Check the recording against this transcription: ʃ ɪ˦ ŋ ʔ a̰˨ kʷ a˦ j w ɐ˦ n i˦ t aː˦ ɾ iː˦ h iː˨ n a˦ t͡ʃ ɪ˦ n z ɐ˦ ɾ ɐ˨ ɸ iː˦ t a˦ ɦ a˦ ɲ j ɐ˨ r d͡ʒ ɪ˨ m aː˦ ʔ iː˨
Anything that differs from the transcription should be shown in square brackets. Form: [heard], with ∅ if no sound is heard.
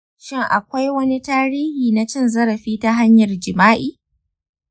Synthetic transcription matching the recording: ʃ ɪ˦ ŋ ʔ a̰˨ kʷ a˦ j w ɐ˦ n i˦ t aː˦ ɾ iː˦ h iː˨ n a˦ t͡ʃ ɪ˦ n z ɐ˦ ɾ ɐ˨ ɸ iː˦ t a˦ ɦ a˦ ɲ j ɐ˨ r d͡ʒ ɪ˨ m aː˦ ʔ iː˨